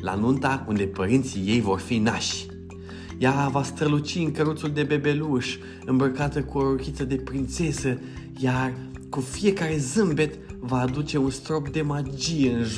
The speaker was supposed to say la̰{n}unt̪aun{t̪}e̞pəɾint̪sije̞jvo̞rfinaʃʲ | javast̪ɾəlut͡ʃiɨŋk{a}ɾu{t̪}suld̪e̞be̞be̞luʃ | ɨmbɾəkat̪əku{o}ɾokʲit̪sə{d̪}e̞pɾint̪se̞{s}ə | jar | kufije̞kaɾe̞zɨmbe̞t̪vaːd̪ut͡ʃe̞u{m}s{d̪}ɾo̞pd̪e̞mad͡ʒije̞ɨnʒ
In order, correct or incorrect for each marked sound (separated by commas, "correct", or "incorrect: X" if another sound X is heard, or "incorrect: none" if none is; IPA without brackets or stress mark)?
correct, incorrect: d̪, incorrect: ə, correct, correct, correct, correct, incorrect: n, incorrect: t̪